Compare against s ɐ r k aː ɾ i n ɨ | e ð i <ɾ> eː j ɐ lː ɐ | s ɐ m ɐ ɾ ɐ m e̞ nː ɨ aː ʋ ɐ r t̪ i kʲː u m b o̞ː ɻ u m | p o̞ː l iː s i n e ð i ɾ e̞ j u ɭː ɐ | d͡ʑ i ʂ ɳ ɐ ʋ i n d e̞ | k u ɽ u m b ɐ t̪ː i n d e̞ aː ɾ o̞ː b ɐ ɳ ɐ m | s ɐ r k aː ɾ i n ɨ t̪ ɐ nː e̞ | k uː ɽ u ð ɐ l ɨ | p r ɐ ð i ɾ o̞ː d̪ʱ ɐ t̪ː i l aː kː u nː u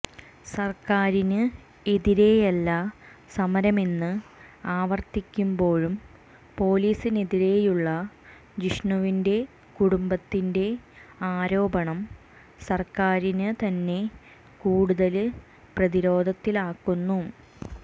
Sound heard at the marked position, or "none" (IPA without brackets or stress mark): ɾ